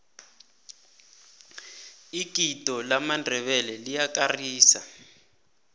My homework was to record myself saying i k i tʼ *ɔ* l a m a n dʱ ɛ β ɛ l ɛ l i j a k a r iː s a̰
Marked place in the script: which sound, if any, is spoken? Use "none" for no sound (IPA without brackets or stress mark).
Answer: ɔ